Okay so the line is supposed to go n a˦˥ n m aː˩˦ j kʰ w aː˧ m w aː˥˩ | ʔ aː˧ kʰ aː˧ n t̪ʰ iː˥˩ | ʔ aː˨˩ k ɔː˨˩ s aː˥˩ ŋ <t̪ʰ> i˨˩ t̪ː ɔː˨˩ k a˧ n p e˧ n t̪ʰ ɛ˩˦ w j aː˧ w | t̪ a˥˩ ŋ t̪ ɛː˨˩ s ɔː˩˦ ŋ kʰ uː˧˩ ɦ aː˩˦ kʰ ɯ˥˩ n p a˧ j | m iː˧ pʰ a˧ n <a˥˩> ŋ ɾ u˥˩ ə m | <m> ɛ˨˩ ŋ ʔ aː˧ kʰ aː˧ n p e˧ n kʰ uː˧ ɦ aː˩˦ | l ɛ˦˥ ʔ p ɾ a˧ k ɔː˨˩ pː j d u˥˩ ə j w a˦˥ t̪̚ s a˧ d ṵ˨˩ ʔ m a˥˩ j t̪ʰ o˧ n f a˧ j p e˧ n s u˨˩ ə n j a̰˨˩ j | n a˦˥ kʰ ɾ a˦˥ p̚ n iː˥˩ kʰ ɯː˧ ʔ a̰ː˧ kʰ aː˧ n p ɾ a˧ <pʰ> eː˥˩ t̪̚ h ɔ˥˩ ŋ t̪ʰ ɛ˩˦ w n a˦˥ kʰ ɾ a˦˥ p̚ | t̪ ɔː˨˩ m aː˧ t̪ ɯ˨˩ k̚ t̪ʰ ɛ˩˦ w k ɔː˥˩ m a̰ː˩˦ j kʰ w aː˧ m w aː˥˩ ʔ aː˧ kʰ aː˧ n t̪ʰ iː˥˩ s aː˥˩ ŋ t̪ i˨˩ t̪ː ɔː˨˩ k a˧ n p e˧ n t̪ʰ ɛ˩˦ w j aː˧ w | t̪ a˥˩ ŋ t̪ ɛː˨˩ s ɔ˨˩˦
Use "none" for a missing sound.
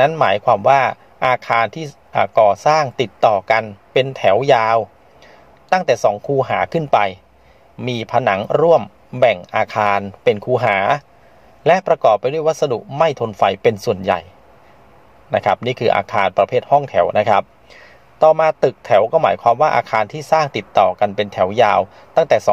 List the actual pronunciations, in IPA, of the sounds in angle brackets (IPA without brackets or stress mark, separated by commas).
t̪, a˩˦, b, pʰ